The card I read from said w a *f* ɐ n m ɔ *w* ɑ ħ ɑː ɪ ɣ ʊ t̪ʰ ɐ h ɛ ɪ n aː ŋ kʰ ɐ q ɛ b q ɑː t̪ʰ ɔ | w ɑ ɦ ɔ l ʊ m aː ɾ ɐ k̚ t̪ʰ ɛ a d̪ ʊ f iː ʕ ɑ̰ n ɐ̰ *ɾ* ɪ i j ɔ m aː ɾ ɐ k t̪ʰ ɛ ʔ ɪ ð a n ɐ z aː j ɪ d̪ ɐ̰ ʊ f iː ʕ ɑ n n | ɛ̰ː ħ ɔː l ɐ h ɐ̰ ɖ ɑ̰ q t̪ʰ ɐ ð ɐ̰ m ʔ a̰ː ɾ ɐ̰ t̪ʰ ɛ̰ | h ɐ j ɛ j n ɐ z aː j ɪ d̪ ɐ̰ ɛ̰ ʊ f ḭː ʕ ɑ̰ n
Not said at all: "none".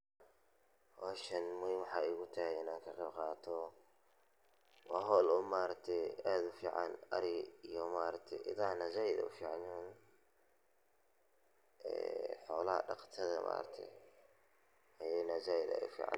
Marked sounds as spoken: ʃ, w, ɾ

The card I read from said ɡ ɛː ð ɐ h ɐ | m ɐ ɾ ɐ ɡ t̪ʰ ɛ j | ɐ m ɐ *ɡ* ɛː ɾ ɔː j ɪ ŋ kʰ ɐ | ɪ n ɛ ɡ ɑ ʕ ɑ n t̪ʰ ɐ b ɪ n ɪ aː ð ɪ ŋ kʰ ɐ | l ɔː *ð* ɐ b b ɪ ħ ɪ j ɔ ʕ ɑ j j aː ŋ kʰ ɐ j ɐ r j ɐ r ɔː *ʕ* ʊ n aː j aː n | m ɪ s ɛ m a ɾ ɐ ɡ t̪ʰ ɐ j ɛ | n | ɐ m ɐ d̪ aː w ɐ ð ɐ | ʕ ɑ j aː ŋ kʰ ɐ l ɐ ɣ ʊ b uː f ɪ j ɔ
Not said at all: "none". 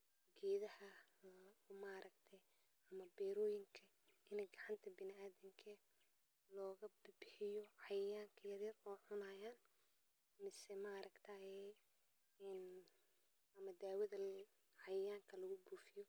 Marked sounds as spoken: b, ɣ, ʕ

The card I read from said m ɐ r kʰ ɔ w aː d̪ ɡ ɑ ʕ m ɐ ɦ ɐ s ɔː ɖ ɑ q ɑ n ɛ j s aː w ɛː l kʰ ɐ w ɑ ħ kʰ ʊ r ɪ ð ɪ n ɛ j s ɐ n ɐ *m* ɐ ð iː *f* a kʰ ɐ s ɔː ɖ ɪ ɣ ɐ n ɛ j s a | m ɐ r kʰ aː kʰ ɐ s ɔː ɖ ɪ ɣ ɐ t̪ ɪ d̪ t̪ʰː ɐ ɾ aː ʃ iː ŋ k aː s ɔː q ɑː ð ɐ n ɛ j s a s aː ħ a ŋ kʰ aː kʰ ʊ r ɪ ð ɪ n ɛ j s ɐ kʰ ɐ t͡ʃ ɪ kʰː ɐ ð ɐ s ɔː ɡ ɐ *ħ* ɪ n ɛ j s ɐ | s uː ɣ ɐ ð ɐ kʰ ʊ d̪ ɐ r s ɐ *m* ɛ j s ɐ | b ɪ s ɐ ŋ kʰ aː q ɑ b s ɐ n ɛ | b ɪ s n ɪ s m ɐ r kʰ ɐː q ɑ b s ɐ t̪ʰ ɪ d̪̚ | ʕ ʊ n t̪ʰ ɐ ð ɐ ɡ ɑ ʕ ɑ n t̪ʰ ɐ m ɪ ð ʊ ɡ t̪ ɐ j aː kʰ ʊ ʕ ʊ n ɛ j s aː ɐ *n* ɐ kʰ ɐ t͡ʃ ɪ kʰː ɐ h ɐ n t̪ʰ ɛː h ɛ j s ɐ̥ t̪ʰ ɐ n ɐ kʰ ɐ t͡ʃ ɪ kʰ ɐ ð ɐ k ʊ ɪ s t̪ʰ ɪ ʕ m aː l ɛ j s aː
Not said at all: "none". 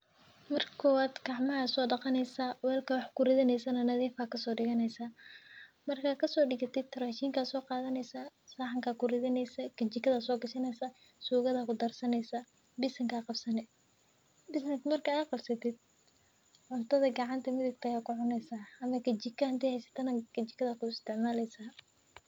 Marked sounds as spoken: n, f, ʃ, n, m

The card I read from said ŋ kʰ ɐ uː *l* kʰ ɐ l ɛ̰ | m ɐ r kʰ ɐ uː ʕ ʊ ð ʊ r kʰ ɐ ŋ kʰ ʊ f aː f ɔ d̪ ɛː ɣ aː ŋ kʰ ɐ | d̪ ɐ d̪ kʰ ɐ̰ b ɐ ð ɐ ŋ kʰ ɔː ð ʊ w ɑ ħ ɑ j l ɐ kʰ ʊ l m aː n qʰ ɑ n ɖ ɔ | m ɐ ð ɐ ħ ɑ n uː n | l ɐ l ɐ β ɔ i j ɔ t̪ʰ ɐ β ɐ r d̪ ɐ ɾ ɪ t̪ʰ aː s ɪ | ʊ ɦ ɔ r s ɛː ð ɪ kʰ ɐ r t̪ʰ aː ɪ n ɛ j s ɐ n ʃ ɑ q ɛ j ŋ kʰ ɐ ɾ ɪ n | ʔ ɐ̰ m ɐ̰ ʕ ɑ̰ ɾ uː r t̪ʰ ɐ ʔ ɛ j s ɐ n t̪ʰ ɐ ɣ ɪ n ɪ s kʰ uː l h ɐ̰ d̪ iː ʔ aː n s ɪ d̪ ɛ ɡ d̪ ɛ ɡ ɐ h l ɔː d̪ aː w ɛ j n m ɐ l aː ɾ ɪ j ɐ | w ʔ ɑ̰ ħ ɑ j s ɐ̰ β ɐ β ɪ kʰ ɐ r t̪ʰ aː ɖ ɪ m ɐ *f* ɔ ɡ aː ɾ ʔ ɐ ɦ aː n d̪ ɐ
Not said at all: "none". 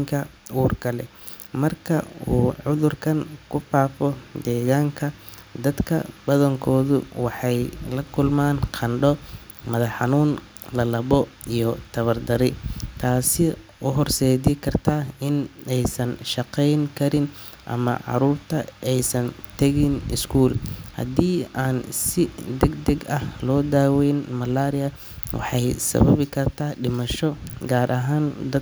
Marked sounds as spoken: r, ʃ

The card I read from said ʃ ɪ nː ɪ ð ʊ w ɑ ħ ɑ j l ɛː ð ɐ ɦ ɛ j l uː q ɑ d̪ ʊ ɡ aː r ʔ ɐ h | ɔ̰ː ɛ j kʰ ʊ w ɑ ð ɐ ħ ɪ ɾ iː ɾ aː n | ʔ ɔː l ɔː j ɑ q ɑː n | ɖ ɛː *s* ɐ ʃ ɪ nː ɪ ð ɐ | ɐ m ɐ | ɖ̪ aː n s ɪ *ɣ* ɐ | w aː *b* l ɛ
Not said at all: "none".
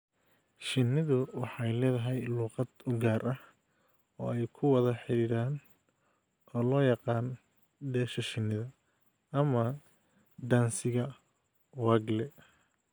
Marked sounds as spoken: ʃ, ɣ, ɡ

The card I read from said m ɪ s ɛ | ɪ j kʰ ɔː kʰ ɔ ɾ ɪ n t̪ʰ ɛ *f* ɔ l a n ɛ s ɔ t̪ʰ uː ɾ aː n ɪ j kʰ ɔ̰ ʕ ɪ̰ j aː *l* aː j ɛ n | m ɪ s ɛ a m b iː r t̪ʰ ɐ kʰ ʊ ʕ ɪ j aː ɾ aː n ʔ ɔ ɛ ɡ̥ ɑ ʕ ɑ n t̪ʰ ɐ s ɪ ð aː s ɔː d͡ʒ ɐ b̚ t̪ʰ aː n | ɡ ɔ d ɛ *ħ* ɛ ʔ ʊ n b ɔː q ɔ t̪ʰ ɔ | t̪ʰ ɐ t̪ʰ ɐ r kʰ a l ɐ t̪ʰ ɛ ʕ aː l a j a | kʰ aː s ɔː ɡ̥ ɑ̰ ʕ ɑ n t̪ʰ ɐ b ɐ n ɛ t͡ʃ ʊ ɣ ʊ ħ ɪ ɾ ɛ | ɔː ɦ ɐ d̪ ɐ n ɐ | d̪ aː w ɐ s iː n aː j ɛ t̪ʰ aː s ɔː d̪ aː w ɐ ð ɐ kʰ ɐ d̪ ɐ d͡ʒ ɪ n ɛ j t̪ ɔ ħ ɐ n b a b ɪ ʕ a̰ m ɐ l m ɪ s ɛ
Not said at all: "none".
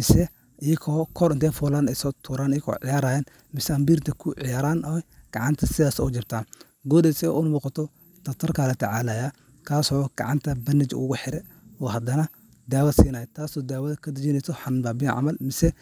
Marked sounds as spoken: f, ɾ, s

